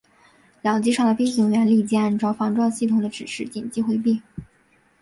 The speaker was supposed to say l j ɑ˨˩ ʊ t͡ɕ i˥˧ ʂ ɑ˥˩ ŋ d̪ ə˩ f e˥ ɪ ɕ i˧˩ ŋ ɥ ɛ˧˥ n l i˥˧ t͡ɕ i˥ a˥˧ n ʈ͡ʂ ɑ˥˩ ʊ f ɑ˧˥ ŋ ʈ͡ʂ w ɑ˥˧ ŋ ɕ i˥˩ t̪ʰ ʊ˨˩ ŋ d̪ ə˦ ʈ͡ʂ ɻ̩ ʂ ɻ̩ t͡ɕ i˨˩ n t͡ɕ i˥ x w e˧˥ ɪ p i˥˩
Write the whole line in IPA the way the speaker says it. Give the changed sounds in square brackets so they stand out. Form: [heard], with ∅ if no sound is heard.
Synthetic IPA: l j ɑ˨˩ ʊ t͡ɕ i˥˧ ʂ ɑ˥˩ ŋ d̪ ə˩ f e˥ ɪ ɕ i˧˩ ŋ ɥ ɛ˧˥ n l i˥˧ t͡ɕ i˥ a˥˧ n ʈ͡ʂ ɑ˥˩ ʊ f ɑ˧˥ ŋ ʈ͡ʂ w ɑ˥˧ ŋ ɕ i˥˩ t̪ʰ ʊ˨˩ ŋ d̪ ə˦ ʈ͡ʂ ɻ̩ ʂ ɻ̩ t͡ɕ i˨˩ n t͡ɕ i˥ x w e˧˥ ɪ p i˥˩